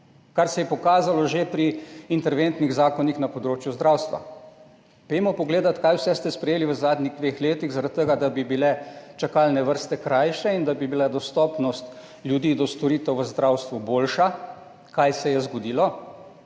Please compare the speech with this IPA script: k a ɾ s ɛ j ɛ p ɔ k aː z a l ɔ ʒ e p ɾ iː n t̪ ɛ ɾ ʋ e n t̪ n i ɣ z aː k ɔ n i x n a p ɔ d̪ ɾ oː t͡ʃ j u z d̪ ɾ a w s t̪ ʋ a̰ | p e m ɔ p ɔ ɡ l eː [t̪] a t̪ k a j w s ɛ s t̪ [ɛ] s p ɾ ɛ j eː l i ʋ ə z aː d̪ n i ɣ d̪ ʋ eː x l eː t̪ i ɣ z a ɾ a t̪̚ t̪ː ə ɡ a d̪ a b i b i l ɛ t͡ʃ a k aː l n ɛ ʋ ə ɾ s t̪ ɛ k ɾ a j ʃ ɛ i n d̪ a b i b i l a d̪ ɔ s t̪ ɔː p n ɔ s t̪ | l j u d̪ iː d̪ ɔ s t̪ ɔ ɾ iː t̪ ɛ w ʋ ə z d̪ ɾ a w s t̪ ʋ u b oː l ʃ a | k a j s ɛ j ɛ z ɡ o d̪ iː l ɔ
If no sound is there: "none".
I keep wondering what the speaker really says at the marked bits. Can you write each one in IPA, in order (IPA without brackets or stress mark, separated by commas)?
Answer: d̪, ɛ